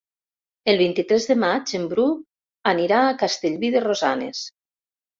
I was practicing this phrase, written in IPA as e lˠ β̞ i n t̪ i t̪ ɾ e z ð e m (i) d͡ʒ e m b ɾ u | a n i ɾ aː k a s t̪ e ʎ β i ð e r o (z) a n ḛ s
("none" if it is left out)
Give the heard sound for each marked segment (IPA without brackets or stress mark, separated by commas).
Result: a, z